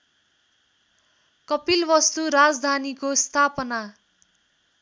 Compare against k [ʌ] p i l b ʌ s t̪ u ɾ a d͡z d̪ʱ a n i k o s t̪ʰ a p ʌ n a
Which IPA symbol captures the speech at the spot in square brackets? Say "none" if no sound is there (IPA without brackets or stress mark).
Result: ʌ